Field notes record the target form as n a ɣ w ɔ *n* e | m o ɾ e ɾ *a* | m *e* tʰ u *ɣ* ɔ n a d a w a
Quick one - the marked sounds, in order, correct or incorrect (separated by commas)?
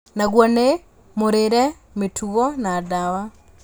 correct, incorrect, correct, correct